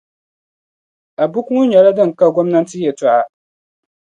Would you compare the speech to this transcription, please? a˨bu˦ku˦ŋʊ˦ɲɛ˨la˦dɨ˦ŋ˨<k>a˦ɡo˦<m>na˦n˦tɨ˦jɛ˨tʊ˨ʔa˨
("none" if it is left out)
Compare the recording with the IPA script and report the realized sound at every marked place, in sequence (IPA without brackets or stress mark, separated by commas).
k, m